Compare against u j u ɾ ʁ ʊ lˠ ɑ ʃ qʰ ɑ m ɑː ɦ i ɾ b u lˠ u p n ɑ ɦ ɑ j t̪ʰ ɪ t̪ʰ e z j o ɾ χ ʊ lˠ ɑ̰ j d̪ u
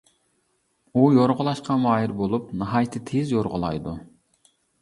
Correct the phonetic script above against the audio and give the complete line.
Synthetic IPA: u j o ɾ ʁ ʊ lˠ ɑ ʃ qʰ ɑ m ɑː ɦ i ɾ b o lˠ u p n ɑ ɦ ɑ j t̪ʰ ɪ t̪ʰ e z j o ɾ ʁ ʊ lˠ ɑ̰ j d̪ u